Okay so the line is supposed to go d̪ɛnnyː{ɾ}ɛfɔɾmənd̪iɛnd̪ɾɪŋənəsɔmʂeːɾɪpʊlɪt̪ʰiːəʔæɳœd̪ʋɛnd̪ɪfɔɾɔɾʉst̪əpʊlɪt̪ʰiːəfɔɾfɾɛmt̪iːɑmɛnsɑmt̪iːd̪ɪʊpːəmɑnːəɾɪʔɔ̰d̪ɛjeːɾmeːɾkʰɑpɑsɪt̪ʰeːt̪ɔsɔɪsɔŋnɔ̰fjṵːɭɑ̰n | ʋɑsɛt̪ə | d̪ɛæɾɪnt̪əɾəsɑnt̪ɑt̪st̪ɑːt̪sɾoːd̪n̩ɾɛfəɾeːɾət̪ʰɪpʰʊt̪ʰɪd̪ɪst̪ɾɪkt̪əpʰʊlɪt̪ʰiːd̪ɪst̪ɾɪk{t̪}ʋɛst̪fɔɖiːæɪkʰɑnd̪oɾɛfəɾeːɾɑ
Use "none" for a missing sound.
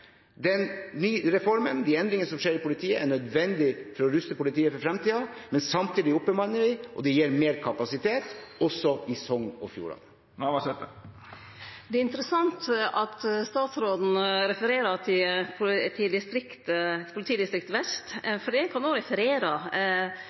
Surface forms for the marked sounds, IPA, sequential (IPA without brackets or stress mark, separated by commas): ɾ, t̪